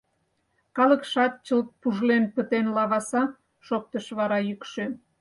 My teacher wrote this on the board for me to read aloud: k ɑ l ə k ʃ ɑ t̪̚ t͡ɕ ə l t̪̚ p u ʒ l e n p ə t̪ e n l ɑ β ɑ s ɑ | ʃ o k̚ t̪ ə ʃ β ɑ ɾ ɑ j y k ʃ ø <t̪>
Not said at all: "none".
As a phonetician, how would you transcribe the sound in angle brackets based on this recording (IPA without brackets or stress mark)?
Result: none